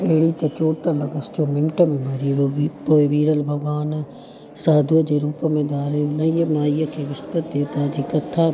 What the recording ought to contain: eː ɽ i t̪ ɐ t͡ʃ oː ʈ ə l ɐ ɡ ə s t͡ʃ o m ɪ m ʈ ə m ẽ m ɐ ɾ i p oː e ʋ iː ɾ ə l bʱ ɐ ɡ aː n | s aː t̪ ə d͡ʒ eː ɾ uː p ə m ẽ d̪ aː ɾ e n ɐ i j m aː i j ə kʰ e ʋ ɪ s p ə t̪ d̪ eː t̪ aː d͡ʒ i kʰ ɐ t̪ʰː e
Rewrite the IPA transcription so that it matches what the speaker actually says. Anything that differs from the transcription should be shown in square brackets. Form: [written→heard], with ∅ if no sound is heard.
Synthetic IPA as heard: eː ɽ i t̪ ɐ t͡ʃ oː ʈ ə l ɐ ɡ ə s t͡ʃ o m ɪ m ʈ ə m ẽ m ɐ ɾ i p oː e ʋ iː ɾ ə l bʱ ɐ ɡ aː n | s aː [t̪→d̪] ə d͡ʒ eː ɾ uː p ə m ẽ d̪ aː ɾ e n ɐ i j m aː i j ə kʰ e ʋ ɪ s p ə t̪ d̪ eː t̪ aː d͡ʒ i [kʰ→k] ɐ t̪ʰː [e→a]

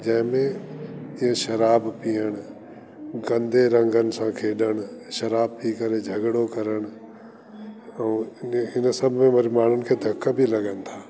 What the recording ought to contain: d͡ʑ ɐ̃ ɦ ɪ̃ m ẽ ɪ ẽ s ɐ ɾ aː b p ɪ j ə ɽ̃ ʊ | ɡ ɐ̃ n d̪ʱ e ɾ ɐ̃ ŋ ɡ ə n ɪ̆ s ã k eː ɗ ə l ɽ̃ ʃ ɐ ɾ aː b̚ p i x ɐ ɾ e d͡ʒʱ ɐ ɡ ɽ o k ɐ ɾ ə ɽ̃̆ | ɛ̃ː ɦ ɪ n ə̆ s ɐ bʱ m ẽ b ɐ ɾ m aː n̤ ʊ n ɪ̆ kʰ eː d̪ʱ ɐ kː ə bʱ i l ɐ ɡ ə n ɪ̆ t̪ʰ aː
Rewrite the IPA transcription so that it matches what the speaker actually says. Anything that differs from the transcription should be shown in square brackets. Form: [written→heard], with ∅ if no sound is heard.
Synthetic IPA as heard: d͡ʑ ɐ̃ ɦ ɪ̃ m ẽ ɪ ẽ [s→ʃ] ɐ ɾ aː b p [ɪ→i] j ə ɽ̃ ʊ | ɡ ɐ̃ n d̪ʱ e ɾ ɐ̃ ŋ ɡ ə n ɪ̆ s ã [k→kʰ] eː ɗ ə [l→∅] ɽ̃ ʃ ɐ ɾ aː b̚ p i [x→k] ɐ ɾ e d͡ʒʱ ɐ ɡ ɽ o k ɐ ɾ ə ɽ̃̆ | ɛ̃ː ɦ ɪ n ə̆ s ɐ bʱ m ẽ [b→m] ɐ ɾ m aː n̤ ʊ n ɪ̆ kʰ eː d̪ʱ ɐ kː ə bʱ i l ɐ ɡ ə n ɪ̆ t̪ʰ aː

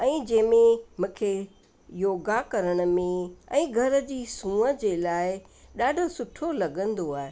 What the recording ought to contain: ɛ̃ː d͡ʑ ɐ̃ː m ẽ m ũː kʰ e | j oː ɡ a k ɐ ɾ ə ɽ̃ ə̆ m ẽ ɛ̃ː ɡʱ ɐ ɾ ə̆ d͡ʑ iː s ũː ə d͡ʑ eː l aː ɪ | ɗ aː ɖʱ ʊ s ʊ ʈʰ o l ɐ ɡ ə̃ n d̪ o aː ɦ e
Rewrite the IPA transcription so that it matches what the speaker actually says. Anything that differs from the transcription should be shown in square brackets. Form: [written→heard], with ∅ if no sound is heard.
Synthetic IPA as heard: ɛ̃ː d͡ʑ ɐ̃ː m ẽ m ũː kʰ e | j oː ɡ a k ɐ ɾ ə ɽ̃ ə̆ m ẽ ɛ̃ː ɡʱ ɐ ɾ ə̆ d͡ʑ iː s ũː ə d͡ʑ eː l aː ɪ | ɗ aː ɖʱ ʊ s ʊ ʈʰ o l ɐ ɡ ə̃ n d̪ o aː ɦ e

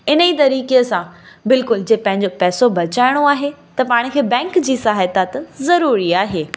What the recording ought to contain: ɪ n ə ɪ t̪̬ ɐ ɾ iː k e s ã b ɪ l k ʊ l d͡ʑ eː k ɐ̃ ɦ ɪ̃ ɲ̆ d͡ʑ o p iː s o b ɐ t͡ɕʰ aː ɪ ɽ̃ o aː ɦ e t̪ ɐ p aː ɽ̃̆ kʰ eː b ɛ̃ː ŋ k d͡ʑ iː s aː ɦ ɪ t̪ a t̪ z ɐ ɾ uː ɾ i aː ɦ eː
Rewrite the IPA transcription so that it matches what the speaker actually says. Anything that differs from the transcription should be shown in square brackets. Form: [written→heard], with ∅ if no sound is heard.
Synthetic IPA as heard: ɪ n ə [ɪ→i] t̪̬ ɐ ɾ iː k e s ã b ɪ l k ʊ l d͡ʑ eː [k→p] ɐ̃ ɦ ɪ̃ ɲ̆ d͡ʑ o p [iː→ɛː] s o b ɐ [t͡ɕʰ→t͡ɕ] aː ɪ ɽ̃ o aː ɦ e t̪ ɐ p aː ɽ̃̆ kʰ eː b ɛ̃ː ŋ k d͡ʑ iː s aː ɦ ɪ t̪ a t̪ z ɐ ɾ uː ɾ i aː ɦ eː

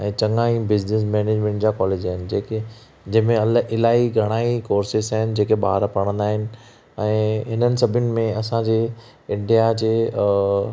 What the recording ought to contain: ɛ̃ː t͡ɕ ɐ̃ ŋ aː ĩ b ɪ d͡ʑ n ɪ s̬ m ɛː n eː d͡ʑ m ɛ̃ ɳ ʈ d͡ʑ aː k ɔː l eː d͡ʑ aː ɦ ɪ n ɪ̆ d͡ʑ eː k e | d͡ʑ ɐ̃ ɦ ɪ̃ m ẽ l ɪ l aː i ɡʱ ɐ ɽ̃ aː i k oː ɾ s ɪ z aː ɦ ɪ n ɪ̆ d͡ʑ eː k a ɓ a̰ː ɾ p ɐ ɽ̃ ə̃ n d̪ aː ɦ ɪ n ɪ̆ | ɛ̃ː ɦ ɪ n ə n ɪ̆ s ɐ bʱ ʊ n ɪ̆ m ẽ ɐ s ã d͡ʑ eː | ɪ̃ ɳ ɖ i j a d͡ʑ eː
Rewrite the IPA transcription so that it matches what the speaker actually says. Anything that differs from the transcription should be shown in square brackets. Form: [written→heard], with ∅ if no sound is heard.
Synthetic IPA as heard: ɛ̃ː t͡ɕ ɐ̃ ŋ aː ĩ b ɪ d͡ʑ n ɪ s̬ m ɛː n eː d͡ʑ m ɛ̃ ɳ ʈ d͡ʑ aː k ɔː l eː d͡ʑ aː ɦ ɪ n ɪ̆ d͡ʑ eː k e | d͡ʑ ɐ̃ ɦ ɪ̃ m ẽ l ɪ l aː i ɡʱ ɐ ɽ̃ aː i k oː ɾ s ɪ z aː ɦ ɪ n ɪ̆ d͡ʑ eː k [a→e] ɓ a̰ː ɾ p ɐ ɽ̃ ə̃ n d̪ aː ɦ ɪ n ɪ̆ | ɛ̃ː ɦ ɪ n ə n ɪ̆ s ɐ bʱ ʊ n ɪ̆ m ẽ ɐ s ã d͡ʑ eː | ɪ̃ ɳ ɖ i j a d͡ʑ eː

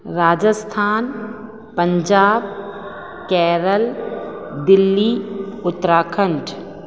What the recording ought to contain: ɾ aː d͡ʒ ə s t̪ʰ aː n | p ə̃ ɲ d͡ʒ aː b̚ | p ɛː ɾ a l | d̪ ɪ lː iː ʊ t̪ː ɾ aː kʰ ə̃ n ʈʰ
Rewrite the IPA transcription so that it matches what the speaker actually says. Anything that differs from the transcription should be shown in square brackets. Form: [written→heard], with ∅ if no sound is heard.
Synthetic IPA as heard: ɾ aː d͡ʒ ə s t̪ʰ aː n | p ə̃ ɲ d͡ʒ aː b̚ | [p→k] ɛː ɾ [a→ə] l | d̪ ɪ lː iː ʊ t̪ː ɾ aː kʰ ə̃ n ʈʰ

